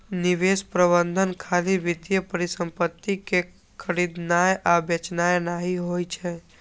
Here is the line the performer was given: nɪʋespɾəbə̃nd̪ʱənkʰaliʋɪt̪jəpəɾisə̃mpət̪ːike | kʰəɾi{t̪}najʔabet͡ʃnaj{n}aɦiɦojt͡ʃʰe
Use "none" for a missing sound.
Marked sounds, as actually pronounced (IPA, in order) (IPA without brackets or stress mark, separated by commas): d̪, n